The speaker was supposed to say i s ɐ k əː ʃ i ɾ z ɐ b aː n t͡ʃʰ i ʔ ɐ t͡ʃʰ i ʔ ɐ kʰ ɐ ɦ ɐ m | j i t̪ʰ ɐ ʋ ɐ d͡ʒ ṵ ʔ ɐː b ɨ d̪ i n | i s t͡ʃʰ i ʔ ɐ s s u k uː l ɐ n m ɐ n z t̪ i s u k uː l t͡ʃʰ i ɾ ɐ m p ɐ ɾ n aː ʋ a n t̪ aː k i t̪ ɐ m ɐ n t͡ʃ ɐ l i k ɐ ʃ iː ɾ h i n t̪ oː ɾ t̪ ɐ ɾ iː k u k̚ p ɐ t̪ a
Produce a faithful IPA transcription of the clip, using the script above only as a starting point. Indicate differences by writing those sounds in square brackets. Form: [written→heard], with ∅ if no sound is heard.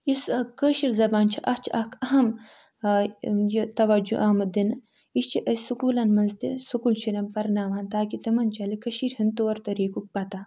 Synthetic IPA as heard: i s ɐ k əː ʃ i ɾ z ɐ b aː n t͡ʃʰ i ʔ ɐ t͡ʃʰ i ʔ ɐ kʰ ɐ ɦ ɐ m | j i [t̪ʰ→t̪] ɐ ʋ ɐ d͡ʒ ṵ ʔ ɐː [b→m] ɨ d̪ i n | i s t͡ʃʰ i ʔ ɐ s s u k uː l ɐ n m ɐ n z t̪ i s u k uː l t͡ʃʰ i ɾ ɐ m p ɐ ɾ n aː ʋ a n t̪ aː k i t̪ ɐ m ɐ n t͡ʃ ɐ l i k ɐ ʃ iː ɾ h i n t̪ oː ɾ t̪ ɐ ɾ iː k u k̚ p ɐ t̪ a